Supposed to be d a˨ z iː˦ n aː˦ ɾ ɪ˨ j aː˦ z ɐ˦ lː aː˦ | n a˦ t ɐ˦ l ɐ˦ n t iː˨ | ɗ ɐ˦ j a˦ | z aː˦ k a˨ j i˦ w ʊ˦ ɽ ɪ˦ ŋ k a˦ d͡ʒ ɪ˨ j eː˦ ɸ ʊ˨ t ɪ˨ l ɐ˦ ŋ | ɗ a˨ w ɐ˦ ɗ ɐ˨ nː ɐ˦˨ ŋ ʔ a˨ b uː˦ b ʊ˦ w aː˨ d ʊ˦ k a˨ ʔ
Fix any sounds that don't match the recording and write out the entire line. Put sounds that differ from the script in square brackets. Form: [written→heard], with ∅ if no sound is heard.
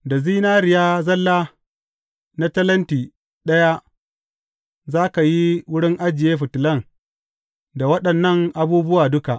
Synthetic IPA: d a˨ z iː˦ n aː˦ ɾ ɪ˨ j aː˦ z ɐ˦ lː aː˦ | n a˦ t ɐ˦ l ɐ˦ n t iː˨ | ɗ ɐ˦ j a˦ | z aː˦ k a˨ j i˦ w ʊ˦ ɽ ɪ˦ ŋ [k→ʔ] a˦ d͡ʒ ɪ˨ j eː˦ ɸ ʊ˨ t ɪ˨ l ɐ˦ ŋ | [ɗ→d] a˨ w ɐ˦ ɗ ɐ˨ nː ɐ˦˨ ŋ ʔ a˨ b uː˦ b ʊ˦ w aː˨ d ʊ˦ k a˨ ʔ